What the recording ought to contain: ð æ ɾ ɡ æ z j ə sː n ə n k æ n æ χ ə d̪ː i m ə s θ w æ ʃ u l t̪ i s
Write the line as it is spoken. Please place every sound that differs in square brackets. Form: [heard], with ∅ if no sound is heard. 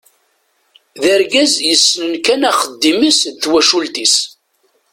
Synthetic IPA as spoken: ð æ ɾ ɡ æ z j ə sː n ə n k æ n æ χ ə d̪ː i m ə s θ w æ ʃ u l t̪ i s